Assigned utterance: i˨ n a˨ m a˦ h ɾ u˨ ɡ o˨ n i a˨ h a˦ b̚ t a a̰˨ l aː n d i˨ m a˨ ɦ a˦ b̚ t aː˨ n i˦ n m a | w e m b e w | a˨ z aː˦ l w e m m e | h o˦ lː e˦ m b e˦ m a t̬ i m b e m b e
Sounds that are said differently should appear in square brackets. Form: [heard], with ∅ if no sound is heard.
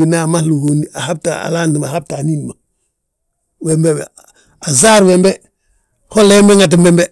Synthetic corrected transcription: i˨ n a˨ m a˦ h [l] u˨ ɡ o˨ n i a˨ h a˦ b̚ t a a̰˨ l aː n d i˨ m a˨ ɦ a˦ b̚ t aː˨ n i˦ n m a | w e m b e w | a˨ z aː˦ [ɾ] w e m [b] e | h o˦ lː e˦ m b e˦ [ŋ] a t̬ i m b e m b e